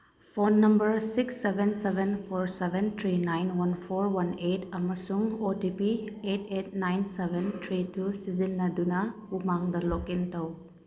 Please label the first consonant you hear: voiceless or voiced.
voiceless